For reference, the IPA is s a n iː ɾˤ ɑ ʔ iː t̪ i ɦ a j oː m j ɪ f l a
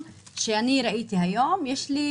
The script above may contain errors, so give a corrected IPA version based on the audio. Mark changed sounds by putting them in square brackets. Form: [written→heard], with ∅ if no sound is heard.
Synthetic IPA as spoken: [s→ʃ] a n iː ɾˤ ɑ ʔ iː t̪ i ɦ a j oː m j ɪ [f→ʃ] l [a→i]